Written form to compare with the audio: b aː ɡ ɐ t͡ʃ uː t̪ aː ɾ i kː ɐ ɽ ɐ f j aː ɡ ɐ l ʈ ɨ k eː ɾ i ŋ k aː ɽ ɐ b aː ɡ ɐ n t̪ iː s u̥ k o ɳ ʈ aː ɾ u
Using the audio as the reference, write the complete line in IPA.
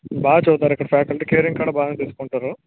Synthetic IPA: b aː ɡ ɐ t͡ʃ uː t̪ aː ɾ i kː ɐ ɽ ɐ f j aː k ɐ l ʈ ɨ k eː ɾ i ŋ k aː ɽ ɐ b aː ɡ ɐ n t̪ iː s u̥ k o ɳ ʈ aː ɾ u

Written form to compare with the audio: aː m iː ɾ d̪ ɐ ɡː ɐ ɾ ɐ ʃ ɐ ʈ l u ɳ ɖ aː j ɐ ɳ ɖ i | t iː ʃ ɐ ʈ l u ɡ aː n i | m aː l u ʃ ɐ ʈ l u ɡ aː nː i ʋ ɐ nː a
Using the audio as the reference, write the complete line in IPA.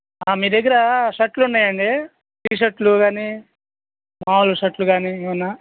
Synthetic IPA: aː m iː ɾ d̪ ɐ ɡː ɐ ɾ ɐ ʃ ɐ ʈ l u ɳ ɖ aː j ɐ ɳ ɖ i | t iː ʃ ɐ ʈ l u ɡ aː n i | m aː l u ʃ ɐ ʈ l u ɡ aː n i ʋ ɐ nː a

